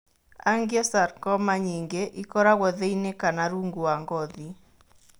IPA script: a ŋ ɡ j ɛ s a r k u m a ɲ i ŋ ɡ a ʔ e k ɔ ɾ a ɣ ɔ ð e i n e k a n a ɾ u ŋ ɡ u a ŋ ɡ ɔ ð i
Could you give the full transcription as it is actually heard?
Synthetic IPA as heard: a ŋ ɡ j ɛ s a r k ɔ m a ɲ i ŋ ɡ e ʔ i k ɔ ɾ a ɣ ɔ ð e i n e k a n a ɾ u ŋ ɡ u a ŋ ɡ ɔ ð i